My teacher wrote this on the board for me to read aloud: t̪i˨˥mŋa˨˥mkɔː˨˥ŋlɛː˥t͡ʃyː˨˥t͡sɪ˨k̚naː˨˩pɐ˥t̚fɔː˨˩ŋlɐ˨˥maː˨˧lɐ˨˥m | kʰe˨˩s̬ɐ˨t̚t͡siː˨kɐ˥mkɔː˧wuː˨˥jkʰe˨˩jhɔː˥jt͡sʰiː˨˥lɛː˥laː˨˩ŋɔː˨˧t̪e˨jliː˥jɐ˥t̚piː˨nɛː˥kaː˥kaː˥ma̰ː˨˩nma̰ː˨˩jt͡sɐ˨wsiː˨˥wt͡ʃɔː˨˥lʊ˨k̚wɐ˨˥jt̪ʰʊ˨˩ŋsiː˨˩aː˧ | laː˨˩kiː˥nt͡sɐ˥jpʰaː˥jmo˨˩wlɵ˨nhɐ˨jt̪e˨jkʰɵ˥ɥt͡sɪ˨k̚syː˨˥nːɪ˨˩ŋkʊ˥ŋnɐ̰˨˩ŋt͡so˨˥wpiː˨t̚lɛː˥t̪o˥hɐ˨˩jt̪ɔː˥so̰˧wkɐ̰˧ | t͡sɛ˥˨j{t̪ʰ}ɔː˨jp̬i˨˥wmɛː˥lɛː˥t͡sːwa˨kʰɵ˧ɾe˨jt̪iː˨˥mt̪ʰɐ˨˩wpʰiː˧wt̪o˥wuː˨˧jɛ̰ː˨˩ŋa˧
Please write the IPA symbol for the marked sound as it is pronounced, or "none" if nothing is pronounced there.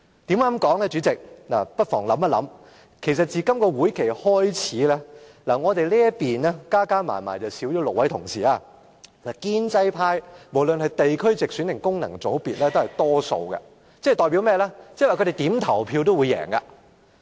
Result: t̪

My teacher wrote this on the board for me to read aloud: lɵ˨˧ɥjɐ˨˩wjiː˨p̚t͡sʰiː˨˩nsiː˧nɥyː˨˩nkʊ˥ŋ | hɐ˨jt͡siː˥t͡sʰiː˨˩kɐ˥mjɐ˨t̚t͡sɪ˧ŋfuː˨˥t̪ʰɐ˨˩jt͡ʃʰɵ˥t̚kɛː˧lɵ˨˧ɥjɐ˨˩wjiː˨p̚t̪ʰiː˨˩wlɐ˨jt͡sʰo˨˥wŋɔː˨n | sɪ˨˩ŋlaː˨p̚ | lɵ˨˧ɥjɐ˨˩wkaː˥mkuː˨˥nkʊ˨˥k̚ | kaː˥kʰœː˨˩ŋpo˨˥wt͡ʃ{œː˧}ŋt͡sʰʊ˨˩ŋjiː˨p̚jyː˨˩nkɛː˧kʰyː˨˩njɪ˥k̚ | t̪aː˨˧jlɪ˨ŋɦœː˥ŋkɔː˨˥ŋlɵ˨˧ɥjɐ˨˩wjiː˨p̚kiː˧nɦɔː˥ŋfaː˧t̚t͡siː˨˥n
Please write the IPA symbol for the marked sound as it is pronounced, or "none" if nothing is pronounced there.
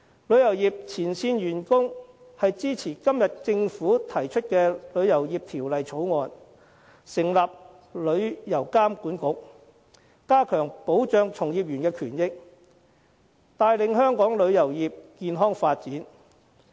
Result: œː˧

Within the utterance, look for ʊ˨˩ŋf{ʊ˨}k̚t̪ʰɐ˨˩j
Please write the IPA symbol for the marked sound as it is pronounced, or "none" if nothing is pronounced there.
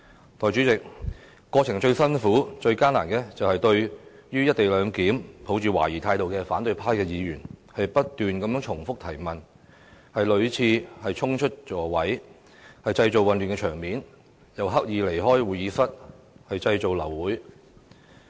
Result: ʊ˥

